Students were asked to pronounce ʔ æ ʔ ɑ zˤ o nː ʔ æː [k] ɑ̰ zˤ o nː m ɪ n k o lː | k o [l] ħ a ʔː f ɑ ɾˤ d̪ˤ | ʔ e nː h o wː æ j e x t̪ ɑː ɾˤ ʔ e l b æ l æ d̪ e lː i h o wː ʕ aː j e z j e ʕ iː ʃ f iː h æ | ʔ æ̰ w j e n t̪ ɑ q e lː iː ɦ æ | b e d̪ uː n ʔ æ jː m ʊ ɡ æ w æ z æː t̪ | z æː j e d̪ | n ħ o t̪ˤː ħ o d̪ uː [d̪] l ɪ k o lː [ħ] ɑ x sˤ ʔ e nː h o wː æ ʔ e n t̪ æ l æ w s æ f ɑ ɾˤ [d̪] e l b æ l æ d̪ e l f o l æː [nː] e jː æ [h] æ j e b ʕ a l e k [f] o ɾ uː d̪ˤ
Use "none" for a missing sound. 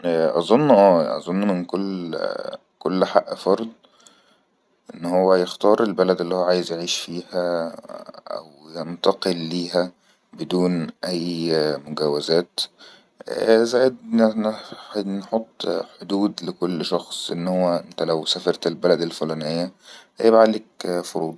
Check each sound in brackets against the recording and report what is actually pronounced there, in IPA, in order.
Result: ʔ, lː, d̪, ʃ, t̪, n, h, f

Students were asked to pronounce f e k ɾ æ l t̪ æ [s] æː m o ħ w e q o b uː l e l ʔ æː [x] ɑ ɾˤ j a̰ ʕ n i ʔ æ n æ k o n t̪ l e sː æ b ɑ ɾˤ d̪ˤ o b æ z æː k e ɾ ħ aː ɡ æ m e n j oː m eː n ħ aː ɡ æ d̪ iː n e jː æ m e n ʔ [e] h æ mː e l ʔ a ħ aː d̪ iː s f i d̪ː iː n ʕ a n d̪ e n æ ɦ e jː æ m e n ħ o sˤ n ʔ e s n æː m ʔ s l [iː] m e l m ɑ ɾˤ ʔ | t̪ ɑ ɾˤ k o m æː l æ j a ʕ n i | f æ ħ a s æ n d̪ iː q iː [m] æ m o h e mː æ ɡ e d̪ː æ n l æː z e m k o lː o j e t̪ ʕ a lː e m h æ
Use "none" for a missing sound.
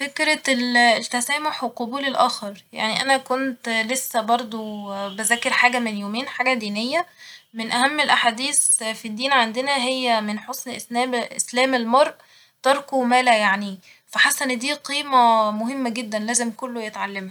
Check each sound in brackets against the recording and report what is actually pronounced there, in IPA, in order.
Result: s, x, æ, æː, m

